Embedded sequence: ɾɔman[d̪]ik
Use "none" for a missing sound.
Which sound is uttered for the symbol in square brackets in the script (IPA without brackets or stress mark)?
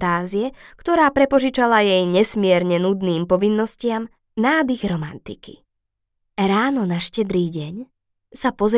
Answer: t̪